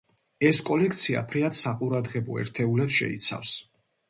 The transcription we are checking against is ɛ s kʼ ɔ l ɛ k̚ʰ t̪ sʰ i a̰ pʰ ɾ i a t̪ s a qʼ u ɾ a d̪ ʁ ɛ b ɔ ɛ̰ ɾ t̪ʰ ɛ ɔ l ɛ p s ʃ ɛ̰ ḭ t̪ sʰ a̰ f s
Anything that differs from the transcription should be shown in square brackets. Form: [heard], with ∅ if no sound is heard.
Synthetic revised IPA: ɛ s kʼ ɔ l ɛ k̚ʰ t̪ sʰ i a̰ pʰ ɾ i a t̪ s a qʼ u ɾ a d̪ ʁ ɛ b ɔ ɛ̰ ɾ t̪ʰ ɛ [u] l ɛ p s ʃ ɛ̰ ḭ t̪ sʰ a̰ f s